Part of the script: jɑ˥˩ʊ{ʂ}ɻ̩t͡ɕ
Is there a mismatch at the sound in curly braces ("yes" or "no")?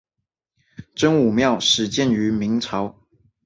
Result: no